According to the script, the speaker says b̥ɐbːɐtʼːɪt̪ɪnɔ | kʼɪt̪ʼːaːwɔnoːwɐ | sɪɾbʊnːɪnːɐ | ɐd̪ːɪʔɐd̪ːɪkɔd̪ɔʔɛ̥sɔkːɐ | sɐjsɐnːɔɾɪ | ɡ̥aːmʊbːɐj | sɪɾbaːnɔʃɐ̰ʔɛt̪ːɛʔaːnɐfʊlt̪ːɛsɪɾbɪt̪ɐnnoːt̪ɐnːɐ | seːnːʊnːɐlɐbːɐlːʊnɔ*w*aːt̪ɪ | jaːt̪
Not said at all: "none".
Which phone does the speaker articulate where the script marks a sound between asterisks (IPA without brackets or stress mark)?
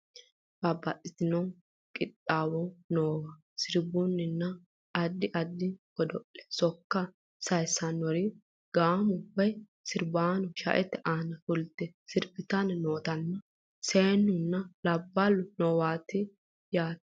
w